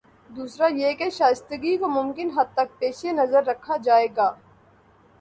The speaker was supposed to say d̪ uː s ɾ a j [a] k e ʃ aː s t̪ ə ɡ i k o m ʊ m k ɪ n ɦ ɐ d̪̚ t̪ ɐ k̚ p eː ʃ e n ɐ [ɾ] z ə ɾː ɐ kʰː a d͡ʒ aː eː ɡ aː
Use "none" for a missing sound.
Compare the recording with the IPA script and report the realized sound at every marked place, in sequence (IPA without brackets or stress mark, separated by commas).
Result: e, none